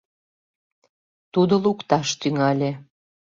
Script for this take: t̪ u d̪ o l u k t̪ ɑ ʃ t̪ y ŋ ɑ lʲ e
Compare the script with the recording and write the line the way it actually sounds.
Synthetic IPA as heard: t̪ u d̪ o l u k t̪ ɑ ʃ t̪ y ŋ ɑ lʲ e